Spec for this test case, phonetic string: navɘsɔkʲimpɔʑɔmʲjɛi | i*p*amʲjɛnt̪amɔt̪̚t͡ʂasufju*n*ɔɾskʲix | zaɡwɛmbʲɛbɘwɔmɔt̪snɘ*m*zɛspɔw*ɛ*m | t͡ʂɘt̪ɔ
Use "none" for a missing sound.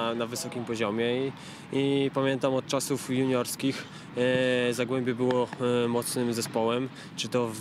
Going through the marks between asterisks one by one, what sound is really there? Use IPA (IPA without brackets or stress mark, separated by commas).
p, ɲ, m, ɛ